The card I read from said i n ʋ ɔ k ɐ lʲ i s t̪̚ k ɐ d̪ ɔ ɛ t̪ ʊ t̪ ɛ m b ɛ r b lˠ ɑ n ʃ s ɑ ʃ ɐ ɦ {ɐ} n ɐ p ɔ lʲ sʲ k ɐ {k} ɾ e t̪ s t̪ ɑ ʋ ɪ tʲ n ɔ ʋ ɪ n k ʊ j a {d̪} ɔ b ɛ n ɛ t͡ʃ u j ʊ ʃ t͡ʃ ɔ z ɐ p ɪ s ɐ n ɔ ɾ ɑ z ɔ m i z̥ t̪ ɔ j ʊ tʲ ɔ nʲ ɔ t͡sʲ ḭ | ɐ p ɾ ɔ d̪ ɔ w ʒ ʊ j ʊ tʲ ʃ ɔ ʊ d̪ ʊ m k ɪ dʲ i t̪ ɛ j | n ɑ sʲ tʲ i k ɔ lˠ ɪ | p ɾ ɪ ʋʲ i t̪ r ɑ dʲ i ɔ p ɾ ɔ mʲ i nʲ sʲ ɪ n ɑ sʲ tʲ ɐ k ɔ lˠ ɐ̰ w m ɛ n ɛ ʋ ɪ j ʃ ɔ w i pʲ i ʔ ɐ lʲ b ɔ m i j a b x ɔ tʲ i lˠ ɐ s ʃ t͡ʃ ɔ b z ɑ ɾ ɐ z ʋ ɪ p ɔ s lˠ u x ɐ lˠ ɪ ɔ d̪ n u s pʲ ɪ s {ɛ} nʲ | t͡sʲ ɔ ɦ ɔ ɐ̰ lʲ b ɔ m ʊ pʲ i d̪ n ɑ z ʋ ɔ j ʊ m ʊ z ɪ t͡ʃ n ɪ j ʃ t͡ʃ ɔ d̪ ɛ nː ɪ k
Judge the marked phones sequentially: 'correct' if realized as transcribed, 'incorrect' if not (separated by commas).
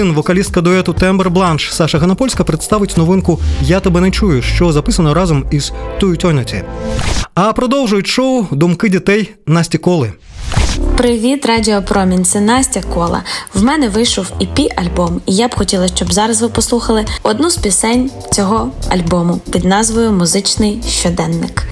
correct, incorrect, incorrect, correct